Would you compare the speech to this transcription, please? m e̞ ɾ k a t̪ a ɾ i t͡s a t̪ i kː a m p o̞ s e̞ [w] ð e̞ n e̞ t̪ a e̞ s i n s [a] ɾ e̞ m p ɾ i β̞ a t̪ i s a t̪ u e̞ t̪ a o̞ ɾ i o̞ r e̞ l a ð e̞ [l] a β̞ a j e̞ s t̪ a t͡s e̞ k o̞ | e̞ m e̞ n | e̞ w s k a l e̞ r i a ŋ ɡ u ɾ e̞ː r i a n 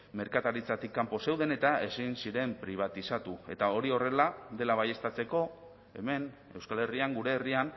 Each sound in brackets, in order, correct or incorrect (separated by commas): correct, incorrect, correct